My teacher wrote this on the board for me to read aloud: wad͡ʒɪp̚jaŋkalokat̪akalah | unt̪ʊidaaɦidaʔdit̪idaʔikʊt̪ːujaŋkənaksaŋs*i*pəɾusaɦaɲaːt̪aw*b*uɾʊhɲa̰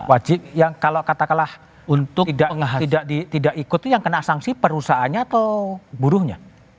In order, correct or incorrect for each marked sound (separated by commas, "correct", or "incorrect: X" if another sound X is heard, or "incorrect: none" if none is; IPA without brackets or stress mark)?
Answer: correct, correct